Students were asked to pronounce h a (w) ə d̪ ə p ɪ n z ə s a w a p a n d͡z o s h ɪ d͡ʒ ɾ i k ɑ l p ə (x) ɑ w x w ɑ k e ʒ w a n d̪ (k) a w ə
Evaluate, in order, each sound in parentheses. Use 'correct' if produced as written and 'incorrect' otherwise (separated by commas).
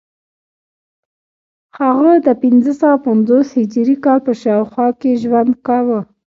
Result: incorrect, incorrect, correct